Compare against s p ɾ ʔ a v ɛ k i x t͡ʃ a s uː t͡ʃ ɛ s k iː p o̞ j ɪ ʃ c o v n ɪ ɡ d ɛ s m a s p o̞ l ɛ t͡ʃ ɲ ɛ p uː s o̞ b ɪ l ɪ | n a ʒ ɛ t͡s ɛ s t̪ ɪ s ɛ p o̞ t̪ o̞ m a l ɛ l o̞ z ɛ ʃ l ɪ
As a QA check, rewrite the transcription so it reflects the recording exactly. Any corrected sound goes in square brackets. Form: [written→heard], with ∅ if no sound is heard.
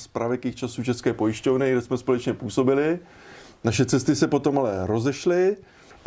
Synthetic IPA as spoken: s p ɾ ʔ a v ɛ k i x t͡ʃ a s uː t͡ʃ ɛ s k [iː→ɛː] p o̞ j ɪ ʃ c o v n ɪ ɡ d ɛ s m [a→ɛ] s p o̞ l ɛ t͡ʃ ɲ ɛ p uː s o̞ b ɪ l ɪ | n a [ʒ→ʃ] ɛ t͡s ɛ s t̪ ɪ s ɛ p o̞ t̪ o̞ m a l ɛ [l→ɾ] o̞ z ɛ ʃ l ɪ